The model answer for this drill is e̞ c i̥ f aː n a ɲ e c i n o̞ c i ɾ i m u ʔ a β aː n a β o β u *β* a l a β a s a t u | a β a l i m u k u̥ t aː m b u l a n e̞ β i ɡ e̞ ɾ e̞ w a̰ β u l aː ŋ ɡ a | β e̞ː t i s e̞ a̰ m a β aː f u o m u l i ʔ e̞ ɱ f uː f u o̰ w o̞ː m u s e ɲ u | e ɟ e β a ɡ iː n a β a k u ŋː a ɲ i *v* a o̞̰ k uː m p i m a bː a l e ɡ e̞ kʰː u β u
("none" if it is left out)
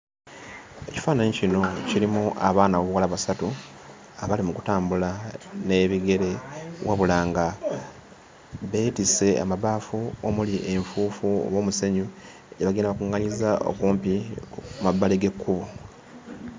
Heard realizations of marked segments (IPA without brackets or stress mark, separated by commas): w, z